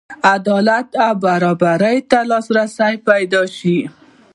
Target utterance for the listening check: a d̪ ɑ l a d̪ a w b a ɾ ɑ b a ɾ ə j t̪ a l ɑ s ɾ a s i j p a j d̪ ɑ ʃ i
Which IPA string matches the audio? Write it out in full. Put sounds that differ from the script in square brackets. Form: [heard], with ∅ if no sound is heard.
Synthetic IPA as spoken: a d̪ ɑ l a [t̪] a w b a ɾ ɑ b a ɾ ə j t̪ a l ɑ s ɾ a s [a] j p a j d̪ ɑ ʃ i